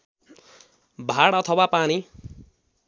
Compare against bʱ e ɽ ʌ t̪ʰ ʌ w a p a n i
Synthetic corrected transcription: bʱ a ɽ ʌ t̪ʰ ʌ w a p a n i